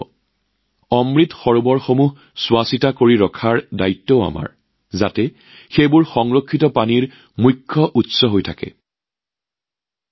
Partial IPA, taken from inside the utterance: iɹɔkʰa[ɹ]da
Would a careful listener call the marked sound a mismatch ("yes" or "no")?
no